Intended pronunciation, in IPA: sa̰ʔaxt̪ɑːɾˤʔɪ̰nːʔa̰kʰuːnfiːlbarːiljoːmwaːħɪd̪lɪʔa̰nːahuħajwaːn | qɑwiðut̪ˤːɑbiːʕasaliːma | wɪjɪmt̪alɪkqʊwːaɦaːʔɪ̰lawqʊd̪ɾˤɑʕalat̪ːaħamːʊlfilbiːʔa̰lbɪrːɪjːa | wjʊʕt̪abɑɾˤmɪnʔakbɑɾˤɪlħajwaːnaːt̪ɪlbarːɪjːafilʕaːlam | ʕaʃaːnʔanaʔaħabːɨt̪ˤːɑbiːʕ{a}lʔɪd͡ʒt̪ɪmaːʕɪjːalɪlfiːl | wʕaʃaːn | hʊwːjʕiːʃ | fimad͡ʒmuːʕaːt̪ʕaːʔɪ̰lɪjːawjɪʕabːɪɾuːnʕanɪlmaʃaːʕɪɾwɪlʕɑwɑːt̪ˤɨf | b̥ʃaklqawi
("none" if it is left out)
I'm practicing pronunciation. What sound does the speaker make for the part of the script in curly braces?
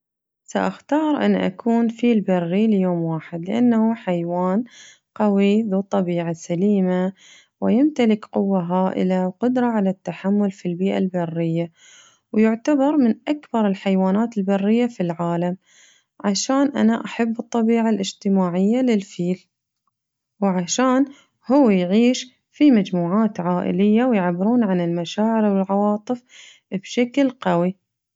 a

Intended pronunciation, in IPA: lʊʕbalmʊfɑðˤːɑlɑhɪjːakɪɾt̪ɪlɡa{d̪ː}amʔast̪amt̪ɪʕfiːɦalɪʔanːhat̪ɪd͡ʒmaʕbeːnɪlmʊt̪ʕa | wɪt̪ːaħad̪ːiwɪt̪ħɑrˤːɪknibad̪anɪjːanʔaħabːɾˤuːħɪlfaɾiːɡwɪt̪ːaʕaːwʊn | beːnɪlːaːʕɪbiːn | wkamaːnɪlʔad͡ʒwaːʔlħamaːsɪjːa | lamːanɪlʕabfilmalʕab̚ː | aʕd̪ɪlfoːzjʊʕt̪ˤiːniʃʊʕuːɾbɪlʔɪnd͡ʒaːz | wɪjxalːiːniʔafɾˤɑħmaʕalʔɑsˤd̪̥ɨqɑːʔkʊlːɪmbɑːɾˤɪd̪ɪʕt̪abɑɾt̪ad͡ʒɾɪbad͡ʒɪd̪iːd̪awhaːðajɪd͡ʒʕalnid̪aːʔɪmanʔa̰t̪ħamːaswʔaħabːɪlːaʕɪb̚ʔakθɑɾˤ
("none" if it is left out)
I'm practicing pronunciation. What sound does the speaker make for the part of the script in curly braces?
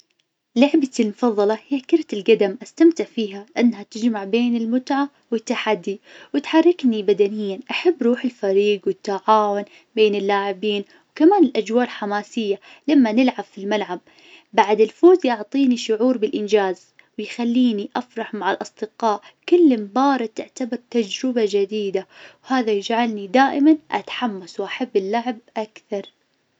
d̪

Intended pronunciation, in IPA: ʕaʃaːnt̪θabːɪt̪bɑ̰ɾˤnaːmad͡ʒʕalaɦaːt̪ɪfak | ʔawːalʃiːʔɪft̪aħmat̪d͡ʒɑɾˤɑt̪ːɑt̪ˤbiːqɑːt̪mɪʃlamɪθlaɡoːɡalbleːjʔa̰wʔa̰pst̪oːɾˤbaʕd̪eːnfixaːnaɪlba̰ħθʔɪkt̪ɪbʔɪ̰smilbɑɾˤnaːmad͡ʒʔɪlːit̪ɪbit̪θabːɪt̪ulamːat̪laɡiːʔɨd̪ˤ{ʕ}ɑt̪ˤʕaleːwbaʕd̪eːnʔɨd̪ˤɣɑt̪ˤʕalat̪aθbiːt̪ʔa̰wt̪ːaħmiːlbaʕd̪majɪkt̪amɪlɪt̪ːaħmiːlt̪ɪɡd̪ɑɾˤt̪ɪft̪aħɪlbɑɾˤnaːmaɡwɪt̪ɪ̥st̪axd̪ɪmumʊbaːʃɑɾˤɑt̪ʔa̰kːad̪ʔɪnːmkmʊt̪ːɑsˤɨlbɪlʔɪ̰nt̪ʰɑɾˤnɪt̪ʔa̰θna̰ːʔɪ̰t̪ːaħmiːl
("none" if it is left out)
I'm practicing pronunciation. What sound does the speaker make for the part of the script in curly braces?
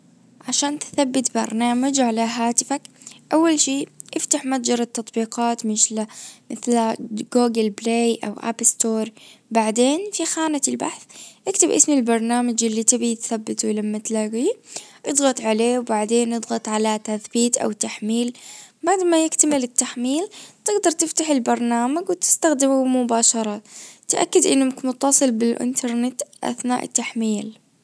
ɣ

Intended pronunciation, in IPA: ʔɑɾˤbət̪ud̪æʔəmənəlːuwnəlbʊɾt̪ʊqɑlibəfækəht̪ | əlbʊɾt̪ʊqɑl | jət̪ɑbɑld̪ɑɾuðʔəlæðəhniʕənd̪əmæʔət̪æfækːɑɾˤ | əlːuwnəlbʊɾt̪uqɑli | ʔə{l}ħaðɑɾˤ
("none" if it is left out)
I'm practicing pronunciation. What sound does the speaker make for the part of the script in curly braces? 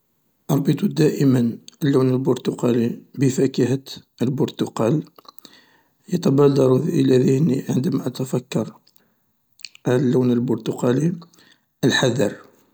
l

